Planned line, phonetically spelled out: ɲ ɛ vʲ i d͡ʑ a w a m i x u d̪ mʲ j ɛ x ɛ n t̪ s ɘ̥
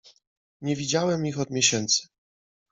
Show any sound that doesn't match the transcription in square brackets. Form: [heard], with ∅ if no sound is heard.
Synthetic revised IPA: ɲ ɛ vʲ i d͡ʑ a w [ɛ] m i x [ɔ] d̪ mʲ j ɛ [ɕ] ɛ n t̪ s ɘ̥